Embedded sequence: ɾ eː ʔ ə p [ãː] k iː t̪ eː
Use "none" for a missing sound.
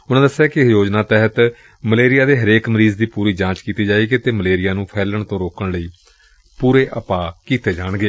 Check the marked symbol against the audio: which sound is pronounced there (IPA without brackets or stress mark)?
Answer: aː